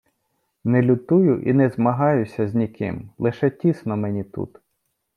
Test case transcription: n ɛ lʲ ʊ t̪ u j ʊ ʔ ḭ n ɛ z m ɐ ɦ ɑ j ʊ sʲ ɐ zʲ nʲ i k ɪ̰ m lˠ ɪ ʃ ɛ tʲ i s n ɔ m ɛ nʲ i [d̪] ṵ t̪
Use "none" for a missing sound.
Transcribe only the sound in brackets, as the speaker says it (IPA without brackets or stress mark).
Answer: t̪